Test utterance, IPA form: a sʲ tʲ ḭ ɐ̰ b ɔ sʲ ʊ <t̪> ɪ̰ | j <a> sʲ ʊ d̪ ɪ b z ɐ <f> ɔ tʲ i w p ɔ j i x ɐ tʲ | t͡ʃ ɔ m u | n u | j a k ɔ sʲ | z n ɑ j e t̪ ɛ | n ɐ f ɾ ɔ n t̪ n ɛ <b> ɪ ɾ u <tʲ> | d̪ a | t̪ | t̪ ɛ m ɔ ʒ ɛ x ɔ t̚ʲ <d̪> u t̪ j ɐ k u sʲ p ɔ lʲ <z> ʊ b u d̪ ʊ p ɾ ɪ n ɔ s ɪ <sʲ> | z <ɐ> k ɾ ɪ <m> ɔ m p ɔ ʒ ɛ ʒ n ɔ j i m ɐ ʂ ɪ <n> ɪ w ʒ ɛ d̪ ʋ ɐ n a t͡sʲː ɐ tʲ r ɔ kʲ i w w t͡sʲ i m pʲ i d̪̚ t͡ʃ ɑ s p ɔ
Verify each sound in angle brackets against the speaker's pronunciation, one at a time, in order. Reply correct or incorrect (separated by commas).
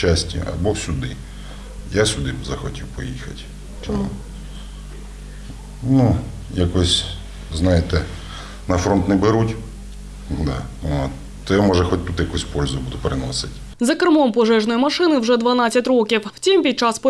incorrect, correct, incorrect, correct, correct, incorrect, correct, incorrect, correct, correct, correct